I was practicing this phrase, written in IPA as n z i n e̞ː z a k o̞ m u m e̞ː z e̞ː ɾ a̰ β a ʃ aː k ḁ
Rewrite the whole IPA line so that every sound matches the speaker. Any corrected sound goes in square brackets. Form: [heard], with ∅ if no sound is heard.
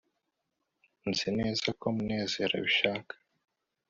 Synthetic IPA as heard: n z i n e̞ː z a k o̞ m u [n] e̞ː z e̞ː ɾ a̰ β [i] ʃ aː k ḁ

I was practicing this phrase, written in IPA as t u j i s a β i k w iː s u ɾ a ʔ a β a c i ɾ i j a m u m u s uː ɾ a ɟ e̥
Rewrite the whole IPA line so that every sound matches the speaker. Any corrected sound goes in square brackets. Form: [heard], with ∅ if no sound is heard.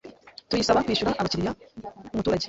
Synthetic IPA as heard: t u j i s a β [a] k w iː [ʃ] u ɾ a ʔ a β a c i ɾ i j a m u m u [t] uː ɾ a ɟ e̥

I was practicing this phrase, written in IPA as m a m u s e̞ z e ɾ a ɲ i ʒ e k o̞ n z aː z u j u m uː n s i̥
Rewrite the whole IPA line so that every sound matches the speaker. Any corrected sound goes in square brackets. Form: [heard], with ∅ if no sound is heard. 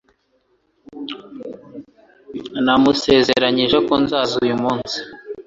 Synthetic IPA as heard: [n] a m u s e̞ z e ɾ a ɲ i ʒ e k o̞ n z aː z u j u m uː n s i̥

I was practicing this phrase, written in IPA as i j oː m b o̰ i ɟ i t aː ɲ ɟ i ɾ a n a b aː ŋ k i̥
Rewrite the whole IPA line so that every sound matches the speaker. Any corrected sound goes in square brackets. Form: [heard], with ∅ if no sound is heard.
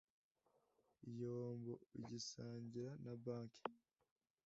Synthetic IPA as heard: i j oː m b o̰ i ɟ i [s] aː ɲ ɟ i ɾ a n a b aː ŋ k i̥

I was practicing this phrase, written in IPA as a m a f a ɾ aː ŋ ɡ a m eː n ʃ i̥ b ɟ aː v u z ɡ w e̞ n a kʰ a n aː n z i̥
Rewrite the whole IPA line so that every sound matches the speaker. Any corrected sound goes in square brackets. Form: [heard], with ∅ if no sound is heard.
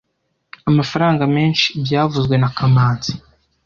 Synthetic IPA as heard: a m a f a ɾ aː ŋ ɡ a m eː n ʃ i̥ b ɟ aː v u z ɡ w e̞ n a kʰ a [m] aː n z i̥

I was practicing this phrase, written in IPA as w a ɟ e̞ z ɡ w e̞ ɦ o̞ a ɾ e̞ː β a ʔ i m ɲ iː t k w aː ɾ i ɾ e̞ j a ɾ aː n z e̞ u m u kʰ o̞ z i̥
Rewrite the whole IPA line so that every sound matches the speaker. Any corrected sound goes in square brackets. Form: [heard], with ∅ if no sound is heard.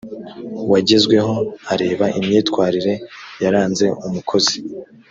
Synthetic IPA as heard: w a ɟ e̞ z ɡ w e̞ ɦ o̞ a ɾ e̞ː β a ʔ i m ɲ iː t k w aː ɾ i ɾ e̞ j a ɾ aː n z e̞ u m u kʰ o̞ z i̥

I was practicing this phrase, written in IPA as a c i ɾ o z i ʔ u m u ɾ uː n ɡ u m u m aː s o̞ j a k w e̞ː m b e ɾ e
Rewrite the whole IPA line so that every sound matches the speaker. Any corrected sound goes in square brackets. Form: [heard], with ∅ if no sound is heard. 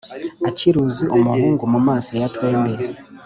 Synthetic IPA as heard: a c i ɾ [u] z i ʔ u m u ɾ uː [ŋ] ɡ u m u m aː s o̞ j a [t] w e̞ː m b e ɾ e

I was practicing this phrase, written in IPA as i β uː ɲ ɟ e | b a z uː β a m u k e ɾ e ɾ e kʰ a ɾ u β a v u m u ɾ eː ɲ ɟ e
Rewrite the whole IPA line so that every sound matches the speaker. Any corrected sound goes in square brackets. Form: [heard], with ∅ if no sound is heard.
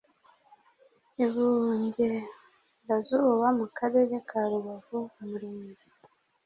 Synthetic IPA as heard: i β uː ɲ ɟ e | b a z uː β a m u k [a] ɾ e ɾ e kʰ a ɾ u β a v u m u ɾ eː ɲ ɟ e

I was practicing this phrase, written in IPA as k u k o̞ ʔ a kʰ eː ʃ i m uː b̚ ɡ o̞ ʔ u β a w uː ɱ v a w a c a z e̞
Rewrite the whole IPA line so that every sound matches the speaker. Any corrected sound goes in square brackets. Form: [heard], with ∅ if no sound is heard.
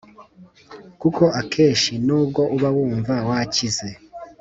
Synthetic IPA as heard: k u k o̞ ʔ a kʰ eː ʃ i [n] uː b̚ ɡ o̞ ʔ u β a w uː ɱ v a w a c [i] z e̞

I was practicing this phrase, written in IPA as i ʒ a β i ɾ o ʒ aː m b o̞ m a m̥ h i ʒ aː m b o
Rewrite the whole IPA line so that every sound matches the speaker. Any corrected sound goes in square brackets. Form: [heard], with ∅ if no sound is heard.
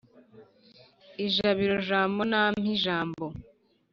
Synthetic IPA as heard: i ʒ a β i ɾ o ʒ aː m b o̞ [n] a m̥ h i ʒ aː m b o

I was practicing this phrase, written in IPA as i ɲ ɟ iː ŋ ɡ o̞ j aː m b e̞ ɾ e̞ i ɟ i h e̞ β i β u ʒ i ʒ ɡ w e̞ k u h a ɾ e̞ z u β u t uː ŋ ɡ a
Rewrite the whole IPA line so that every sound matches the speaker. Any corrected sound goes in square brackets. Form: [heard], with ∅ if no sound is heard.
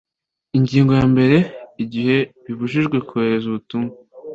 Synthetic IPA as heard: i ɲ ɟ iː ŋ ɡ o̞ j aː m b e̞ ɾ e̞ i ɟ i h e̞ β i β u ʒ i ʒ ɡ w e̞ k u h [e] ɾ e̞ z u β u t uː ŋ ɡ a

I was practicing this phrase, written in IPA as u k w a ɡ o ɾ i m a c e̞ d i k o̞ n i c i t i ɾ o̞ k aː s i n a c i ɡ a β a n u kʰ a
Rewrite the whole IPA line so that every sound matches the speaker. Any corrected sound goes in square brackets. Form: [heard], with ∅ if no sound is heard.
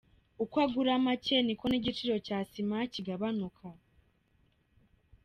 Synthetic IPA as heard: u k w a ɡ [u] ɾ [a] m a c e̞ [n] i k o̞ n i [ɟ] i [t͡ʃ] i ɾ o̞ [c] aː s i [m] a c i ɡ a β a n u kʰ a

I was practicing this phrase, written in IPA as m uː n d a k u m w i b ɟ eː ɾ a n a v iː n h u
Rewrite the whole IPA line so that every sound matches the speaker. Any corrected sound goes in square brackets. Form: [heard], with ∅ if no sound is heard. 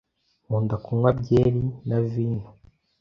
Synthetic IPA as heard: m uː n d a k u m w [a] b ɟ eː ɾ [i] n a v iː n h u

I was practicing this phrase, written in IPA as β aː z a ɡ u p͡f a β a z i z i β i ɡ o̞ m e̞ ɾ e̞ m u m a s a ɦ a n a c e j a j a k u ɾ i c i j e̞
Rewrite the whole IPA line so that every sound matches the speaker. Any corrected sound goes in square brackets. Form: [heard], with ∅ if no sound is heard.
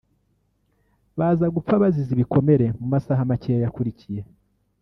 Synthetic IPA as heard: β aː z a ɡ u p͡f a β a z i z i β i [k] o̞ m e̞ ɾ e̞ m u m a s a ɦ a [m] a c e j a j a k u ɾ i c i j e̞

